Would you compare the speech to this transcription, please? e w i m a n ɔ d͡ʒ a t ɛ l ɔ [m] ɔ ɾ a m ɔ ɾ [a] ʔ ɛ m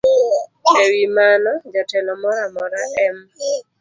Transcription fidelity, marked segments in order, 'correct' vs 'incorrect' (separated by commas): correct, correct